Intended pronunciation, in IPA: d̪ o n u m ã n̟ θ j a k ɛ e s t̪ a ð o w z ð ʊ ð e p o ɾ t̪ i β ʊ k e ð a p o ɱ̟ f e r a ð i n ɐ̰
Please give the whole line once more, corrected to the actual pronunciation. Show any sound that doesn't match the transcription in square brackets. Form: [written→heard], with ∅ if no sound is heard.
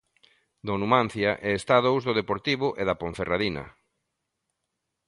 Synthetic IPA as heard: d̪ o n u m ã n̟ θ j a [k→ʔ] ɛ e s t̪ a ð o w z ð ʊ ð e p o ɾ t̪ i β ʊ [k→ʔ] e ð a p o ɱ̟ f e r a ð i n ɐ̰